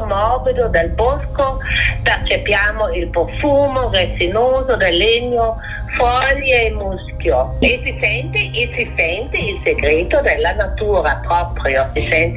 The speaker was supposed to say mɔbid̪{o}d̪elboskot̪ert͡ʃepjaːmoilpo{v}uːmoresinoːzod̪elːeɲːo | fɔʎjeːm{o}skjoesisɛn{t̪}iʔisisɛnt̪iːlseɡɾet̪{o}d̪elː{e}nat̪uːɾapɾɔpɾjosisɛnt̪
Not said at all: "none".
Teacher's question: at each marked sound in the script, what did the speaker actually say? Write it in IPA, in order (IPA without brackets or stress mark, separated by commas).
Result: o, f, u, t̪, o, a